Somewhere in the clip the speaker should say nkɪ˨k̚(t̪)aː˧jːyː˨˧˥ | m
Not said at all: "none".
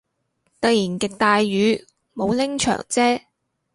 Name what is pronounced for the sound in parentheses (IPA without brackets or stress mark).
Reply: t̪